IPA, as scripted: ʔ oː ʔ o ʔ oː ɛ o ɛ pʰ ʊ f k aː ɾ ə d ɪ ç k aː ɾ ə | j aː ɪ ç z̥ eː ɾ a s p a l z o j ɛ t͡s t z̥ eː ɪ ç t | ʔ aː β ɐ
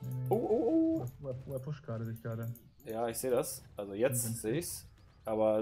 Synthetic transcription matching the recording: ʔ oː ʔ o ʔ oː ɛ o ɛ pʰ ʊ ʃ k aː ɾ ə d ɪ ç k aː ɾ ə | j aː ɪ ç z̥ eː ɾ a s ʔ a l z o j ɛ t͡s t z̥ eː ɪ ç s | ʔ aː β ɐ

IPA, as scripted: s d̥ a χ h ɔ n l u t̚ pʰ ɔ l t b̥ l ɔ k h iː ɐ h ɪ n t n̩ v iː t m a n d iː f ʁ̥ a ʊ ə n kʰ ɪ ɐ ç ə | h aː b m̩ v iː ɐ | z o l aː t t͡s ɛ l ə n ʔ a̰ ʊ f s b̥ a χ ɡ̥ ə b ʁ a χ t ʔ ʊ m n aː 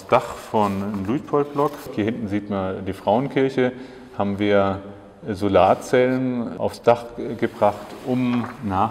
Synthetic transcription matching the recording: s d̥ a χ f ɔ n l u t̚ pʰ ɔ l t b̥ l ɔ k h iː ɐ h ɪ n t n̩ z iː t m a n d iː f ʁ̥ a ʊ ə n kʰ ɪ ɐ ç ə | h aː b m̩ v iː ɐ | z o l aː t t͡s ɛ l ə n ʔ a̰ ʊ f s d̥ a χ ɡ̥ ə b ʁ a χ t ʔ ʊ m n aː

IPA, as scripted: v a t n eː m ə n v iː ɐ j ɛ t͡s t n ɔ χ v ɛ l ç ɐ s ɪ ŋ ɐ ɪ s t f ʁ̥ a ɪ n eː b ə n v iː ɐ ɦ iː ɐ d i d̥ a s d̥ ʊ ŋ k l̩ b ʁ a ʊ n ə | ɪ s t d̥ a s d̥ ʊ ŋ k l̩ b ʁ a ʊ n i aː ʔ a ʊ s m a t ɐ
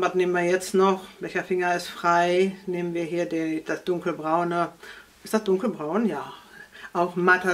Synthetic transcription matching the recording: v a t n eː m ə n v iː ɐ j ɛ t͡s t n ɔ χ v ɛ l ç ɐ f ɪ ŋ ɐ ɪ s t f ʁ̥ a ɪ n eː m ə n v iː ɐ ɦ iː ɐ d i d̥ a s d̥ ʊ ŋ k l̩ b ʁ a ʊ n ə | ɪ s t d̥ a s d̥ ʊ ŋ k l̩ b ʁ a ʊ n j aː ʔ a ʊ x m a t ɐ

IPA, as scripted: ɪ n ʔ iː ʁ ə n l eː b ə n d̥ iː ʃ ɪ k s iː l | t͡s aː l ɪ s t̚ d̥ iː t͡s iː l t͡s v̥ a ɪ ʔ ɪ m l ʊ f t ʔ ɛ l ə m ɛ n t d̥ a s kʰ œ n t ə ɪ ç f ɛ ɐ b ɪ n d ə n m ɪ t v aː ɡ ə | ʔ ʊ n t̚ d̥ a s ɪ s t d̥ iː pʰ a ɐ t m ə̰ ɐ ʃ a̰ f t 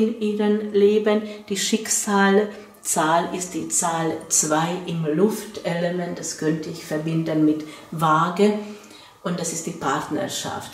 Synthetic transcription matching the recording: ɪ n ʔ iː ʁ ə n l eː b ə n d̥ iː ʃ ɪ k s aː l | t͡s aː l ɪ s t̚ d̥ iː t͡s aː l t͡s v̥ a ɪ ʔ ɪ m l ʊ f t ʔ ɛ l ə m ɛ n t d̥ a s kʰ œ n t ə ɪ ç f ɛ ɐ b ɪ n d ə n m ɪ t v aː ɡ ə | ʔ ʊ n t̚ d̥ a s ɪ s t d̥ iː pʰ a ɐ t n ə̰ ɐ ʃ a̰ f t

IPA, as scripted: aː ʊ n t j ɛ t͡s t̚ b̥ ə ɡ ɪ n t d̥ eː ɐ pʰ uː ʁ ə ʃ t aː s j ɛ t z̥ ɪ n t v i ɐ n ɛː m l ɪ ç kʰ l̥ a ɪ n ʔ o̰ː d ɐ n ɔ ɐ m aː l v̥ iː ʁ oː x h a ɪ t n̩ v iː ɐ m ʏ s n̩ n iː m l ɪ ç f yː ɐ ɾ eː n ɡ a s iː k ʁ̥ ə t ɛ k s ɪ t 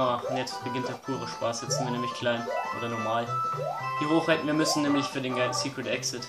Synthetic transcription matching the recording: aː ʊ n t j ɛ t͡s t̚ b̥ ə ɡ ɪ n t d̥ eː ɐ pʰ uː ʁ ə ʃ p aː s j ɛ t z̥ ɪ n t v i ɐ n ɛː m l ɪ ç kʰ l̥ a ɪ n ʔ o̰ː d ɐ n ɔ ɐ m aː l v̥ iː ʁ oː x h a ɪ t n̩ v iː ɐ m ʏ s n̩ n ɛː m l ɪ ç f yː ɐ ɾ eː n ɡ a s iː k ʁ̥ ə t ɛ k s ɪ t

